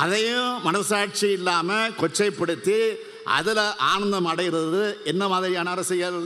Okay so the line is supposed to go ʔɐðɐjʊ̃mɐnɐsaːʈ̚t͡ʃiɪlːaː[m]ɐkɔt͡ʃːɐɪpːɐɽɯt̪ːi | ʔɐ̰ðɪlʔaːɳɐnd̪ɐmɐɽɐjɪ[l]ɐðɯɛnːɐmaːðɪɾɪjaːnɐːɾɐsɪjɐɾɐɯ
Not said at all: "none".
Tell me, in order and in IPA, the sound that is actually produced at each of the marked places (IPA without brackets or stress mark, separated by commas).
m, ɾ